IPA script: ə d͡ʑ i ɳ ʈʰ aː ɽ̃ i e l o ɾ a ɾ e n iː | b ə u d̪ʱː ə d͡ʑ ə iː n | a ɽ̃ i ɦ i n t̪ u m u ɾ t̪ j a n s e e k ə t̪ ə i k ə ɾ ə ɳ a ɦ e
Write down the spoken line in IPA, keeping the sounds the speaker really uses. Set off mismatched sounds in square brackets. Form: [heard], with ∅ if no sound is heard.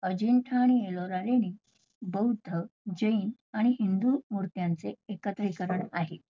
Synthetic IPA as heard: ə d͡ʑ i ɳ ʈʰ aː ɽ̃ i e l o ɾ a ɾ e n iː | b ə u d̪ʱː ə d͡ʑ ə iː n | a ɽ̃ i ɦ i n [d̪] u m u ɾ t̪ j a n [t͡s] e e k ə t̪ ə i k ə ɾ ə ɳ a ɦ e